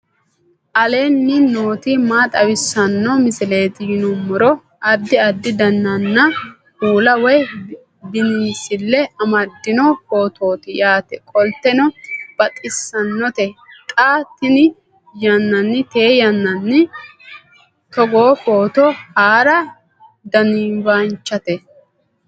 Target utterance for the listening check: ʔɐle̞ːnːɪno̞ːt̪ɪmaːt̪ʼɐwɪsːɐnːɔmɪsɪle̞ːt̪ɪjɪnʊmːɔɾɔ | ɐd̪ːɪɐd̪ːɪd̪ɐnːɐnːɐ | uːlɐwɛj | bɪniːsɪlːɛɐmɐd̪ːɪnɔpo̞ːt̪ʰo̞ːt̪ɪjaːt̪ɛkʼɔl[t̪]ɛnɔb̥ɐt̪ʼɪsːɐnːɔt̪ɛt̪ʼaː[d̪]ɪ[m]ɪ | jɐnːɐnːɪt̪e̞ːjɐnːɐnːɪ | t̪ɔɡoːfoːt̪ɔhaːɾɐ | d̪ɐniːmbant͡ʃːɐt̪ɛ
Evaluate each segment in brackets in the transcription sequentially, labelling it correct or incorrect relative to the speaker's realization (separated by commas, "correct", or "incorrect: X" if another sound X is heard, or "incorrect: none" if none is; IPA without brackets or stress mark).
correct, incorrect: t̪, incorrect: n